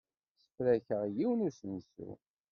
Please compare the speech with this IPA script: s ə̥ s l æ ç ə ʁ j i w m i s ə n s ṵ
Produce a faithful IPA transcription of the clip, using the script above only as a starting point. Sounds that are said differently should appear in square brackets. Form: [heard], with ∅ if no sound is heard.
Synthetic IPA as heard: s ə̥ [f] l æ ç ə ʁ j i w [n] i s ə n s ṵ